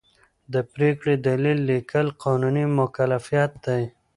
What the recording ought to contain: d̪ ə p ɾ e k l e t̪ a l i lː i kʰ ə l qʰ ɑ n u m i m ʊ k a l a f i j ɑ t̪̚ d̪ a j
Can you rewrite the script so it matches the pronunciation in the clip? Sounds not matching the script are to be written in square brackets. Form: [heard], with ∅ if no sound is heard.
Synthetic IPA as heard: d̪ ə p ɾ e k [ɽ] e [d̪] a l i lː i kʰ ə l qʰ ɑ n u [n] i m ʊ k a l a f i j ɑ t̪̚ d̪ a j